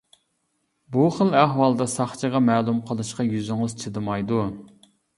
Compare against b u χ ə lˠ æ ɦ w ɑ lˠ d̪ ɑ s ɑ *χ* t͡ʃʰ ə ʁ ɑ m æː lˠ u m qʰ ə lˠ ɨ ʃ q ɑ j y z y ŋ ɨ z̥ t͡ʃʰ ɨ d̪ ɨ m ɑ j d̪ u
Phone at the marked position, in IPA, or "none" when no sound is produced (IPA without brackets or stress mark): χ